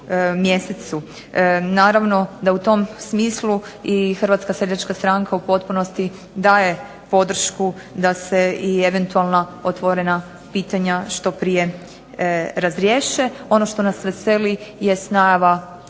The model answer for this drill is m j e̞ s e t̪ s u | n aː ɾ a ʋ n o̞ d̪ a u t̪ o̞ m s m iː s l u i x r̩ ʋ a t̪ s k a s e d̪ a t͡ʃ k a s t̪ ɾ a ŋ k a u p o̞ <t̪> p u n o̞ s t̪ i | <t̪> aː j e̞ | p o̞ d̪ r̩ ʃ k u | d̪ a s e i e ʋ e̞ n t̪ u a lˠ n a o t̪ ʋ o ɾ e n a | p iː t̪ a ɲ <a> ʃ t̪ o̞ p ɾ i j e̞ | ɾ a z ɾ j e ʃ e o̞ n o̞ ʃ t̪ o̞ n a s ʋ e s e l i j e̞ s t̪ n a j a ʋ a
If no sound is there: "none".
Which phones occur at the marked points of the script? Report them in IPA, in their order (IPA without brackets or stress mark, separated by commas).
t̪, d̪, a